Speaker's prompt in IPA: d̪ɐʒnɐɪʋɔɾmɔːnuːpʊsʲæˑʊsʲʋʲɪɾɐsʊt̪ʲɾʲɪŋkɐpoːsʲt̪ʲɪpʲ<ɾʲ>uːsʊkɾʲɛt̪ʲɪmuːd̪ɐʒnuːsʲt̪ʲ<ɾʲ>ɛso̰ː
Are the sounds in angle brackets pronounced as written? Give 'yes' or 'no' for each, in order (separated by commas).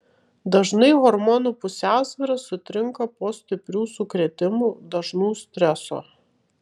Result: yes, yes